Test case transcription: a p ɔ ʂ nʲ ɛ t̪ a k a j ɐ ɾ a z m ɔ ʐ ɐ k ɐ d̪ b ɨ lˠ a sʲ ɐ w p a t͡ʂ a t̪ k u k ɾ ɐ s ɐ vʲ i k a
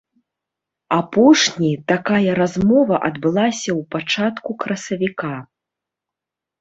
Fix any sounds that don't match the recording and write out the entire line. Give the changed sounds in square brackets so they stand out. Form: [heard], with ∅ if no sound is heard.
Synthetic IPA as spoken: a p ɔ ʂ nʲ [i] t̪ a k a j ɐ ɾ a z m ɔ [v] ɐ [ʔ] ɐ d̪ b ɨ lˠ a sʲ ɐ w p a t͡ʂ a t̪ k u k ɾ ɐ s ɐ vʲ i k a